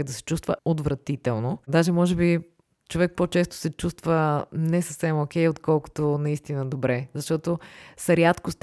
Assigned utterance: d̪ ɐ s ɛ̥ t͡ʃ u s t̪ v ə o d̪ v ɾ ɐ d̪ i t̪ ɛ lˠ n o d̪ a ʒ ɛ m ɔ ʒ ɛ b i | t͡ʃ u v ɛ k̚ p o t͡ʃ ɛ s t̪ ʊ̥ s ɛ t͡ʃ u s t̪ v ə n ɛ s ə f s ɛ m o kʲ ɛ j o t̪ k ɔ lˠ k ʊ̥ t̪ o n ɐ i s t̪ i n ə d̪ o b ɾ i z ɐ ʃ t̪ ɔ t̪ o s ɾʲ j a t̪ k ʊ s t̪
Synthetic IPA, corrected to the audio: d̪ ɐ s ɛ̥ t͡ʃ u s t̪ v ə o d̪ v ɾ ɐ t̪ i t̪ ɛ lˠ n o d̪ a ʒ ɛ m ɔ ʒ ɛ b i | t͡ʃ o v ɛ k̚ p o t͡ʃ ɛ s t̪ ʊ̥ s ɛ t͡ʃ u s t̪ v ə n ɛ s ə f s ɛ m o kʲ ɛ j o t̪ k ɔ lˠ k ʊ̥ t̪ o n ɐ i s t̪ i n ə d̪ o b ɾ ɛ z ɐ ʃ t̪ ɔ t̪ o s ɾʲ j a t̪ k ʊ s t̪